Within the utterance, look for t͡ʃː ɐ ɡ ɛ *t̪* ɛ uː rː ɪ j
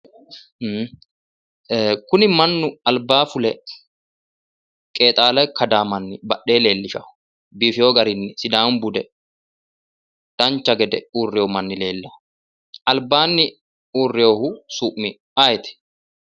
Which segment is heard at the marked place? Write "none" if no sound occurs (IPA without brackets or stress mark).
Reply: d̪